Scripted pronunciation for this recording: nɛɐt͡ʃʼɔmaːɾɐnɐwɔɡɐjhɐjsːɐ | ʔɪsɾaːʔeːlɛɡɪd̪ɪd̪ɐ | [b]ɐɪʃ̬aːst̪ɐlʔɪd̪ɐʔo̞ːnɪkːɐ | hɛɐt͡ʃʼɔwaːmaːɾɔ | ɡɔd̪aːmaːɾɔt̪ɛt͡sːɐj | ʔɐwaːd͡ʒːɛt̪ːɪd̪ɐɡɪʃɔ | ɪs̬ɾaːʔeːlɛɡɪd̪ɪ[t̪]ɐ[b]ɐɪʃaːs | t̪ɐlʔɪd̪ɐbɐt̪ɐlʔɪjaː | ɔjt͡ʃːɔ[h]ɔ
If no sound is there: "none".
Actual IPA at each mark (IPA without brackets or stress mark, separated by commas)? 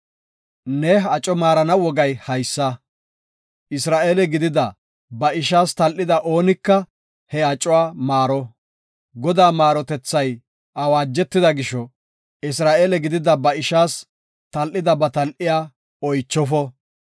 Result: b, d̪, b, f